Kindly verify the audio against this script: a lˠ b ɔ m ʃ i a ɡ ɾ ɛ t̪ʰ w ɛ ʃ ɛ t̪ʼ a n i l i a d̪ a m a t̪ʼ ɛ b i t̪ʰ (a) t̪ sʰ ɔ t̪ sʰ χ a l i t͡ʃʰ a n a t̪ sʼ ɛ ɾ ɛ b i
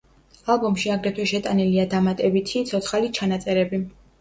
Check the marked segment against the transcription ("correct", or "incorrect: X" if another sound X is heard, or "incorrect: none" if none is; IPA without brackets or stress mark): incorrect: i